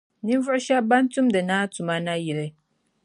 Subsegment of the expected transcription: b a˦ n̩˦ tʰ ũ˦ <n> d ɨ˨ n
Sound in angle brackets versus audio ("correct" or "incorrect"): incorrect